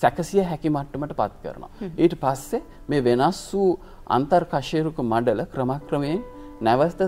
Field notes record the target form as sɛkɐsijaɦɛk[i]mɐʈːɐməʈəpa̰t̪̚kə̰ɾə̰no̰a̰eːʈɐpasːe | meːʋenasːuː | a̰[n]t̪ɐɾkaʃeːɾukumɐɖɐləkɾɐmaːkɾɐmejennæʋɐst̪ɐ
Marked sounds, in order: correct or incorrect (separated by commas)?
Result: correct, correct